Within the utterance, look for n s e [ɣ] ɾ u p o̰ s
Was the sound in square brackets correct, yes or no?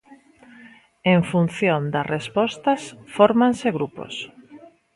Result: yes